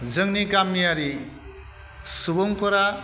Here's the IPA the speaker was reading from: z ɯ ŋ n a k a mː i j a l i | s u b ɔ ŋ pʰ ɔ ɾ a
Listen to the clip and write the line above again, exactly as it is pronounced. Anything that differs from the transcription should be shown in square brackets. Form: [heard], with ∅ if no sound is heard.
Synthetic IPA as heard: z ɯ ŋ n [i] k a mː i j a [ɾ] i | s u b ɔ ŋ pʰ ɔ ɾ a